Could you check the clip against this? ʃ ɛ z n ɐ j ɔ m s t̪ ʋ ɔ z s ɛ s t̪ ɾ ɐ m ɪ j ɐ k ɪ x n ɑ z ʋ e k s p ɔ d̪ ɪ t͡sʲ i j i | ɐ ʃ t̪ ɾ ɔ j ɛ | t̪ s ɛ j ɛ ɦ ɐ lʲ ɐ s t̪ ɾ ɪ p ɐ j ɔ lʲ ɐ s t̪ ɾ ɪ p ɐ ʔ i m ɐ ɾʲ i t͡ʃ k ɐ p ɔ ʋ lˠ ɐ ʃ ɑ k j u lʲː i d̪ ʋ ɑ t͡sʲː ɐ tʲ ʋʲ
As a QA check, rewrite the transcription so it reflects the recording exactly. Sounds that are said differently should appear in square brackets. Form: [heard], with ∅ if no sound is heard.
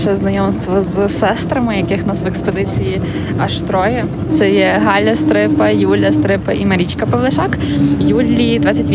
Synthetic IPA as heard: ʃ ɛ z n ɐ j ɔ m s t̪ ʋ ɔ z s ɛ s t̪ ɾ ɐ m ɪ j ɐ k ɪ x n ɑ [s] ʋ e k s p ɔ d̪ ɪ t͡sʲ i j i | ɐ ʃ t̪ ɾ ɔ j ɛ | t̪ s ɛ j ɛ ɦ [ɑ] lʲ ɐ s t̪ ɾ ɪ p ɐ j [u] lʲ ɐ s t̪ ɾ ɪ p ɐ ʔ i m ɐ ɾʲ i t͡ʃ k ɐ p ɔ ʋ lˠ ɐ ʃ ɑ k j u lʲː i d̪ ʋ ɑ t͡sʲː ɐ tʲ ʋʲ